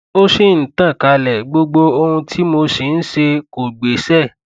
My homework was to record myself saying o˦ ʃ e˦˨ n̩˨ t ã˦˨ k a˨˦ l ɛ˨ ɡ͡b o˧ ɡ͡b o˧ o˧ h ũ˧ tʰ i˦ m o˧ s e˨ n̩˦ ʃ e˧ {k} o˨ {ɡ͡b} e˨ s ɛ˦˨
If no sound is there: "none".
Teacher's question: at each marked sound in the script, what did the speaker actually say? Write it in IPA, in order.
k, ɡ͡b

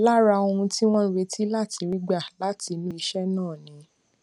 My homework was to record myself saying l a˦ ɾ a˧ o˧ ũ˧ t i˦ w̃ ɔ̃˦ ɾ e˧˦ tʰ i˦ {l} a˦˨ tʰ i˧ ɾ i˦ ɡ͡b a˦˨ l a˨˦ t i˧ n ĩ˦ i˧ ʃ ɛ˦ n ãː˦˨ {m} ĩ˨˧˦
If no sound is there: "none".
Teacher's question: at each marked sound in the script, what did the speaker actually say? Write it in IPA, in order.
l, n

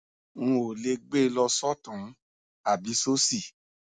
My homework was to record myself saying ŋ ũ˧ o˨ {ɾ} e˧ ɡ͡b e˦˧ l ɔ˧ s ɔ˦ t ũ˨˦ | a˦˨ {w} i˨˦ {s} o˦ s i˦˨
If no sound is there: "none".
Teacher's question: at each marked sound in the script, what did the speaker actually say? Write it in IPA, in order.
l, b, s

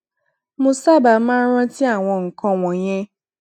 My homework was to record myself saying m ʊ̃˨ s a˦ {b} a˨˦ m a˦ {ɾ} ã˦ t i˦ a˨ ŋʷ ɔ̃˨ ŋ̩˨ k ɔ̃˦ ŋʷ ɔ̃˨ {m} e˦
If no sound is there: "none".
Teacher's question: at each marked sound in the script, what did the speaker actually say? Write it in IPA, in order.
b, ɾ, ɲ

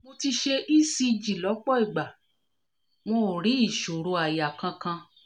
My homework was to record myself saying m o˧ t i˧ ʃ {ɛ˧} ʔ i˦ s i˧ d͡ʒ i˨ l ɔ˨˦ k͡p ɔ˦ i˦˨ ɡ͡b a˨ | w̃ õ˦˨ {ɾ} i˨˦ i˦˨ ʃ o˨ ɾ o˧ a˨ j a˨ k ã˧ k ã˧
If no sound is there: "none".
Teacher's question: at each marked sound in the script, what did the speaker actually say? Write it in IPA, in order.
e˧, ɾ

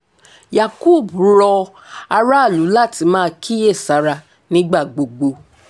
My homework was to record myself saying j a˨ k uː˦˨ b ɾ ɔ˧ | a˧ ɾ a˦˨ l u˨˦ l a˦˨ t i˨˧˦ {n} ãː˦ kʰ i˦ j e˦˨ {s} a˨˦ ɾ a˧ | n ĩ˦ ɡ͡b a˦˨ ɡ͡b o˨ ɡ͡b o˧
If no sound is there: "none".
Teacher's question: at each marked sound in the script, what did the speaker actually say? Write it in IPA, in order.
m, s

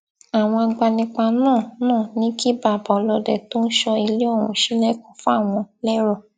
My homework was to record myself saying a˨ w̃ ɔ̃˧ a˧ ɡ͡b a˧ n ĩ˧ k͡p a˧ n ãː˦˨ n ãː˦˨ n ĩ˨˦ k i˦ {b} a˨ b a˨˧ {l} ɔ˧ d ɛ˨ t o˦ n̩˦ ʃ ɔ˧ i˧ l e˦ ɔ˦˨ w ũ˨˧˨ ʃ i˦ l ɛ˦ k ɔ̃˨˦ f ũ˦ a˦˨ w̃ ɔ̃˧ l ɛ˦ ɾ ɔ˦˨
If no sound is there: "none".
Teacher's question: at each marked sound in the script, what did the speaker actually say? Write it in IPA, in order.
b, l

